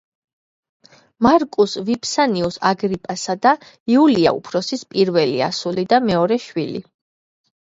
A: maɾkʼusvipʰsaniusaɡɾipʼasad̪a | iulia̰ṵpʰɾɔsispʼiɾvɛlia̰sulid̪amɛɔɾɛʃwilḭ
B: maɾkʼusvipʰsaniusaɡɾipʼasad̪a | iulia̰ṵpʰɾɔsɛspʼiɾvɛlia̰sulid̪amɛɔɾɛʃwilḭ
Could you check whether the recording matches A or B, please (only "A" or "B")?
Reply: A